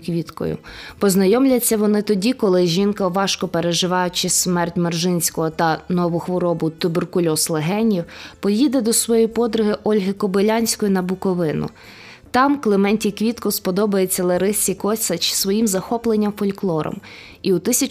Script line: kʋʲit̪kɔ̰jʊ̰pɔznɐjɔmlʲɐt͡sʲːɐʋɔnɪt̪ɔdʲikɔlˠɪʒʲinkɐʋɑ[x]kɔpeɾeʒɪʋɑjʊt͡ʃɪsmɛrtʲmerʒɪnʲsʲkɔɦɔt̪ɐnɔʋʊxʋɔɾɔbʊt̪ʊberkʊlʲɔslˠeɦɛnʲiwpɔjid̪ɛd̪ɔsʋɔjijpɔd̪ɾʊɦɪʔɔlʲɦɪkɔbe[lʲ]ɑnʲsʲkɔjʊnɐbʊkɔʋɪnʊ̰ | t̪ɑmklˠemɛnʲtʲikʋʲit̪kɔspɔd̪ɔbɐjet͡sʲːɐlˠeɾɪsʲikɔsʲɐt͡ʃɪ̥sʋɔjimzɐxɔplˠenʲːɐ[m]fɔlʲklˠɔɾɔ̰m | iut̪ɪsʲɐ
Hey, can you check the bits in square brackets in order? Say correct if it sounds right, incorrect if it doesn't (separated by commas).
incorrect, correct, correct